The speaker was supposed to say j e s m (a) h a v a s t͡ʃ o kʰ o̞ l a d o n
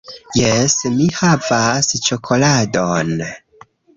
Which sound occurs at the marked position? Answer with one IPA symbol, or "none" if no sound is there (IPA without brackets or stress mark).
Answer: i